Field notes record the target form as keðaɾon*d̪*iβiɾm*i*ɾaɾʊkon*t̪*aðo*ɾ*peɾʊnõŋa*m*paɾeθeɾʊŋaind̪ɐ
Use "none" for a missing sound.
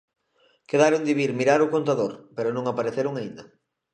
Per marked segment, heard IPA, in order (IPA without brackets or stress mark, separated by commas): d̪, i, t̪, ɾ, none